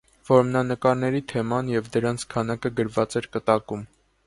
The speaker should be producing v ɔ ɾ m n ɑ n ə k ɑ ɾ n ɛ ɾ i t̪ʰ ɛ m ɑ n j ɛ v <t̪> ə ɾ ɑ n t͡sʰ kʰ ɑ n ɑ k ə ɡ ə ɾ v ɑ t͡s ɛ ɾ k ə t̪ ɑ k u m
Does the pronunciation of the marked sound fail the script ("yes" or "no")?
yes